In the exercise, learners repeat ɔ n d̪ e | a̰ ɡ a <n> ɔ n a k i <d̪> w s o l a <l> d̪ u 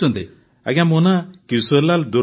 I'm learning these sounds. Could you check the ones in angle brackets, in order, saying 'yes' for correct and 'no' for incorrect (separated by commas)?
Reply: no, no, yes